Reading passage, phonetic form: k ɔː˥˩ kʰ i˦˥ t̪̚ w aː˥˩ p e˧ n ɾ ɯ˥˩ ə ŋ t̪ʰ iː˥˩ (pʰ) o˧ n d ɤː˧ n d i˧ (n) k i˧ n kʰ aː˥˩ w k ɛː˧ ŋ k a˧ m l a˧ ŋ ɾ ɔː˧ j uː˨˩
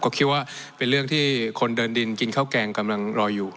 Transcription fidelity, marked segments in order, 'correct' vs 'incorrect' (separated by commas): incorrect, correct